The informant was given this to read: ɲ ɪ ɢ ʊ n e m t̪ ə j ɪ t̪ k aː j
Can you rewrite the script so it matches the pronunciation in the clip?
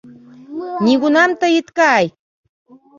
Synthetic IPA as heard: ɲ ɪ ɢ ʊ n a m t̪ a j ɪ t̪ k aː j